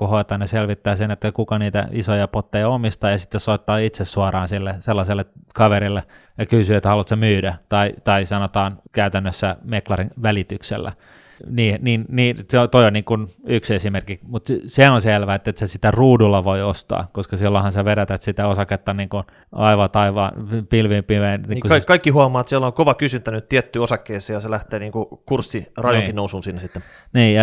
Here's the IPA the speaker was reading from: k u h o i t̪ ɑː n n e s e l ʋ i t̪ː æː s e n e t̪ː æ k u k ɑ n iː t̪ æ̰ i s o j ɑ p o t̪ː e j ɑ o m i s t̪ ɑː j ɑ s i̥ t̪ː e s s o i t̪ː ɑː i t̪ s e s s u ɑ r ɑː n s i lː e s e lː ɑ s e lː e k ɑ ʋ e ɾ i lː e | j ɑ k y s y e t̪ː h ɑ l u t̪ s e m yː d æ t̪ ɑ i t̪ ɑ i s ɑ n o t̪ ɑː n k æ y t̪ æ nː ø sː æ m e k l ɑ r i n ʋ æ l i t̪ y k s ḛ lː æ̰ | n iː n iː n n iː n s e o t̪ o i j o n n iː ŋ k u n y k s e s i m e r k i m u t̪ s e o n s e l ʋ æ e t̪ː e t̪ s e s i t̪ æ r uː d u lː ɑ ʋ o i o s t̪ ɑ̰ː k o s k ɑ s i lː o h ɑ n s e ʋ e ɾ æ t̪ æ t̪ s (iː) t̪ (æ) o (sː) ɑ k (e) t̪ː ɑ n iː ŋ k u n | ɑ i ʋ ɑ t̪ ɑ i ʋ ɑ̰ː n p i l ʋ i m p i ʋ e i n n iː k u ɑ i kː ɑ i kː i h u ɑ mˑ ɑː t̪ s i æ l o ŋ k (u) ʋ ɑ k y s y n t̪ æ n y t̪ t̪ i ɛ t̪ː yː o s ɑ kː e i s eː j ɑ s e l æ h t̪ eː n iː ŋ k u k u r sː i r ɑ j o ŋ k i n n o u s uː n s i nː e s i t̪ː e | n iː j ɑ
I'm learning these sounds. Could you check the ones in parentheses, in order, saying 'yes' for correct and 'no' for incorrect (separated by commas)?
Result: no, yes, no, yes, no